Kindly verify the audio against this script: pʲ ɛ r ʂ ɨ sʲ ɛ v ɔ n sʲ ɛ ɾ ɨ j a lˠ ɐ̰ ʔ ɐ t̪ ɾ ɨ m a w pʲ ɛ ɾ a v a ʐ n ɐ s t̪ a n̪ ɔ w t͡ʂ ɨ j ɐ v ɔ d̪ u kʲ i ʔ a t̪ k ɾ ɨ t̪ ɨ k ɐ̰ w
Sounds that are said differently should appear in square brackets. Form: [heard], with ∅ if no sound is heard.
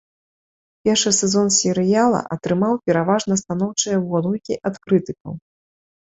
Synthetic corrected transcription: pʲ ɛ r ʂ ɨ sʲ ɛ [z] ɔ n sʲ ɛ ɾ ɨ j a lˠ ɐ̰ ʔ ɐ t̪ ɾ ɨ m a w pʲ ɛ ɾ a v a ʐ n ɐ s t̪ a n̪ ɔ w t͡ʂ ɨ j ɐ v ɔ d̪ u kʲ i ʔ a t̪ k ɾ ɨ t̪ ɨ k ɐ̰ w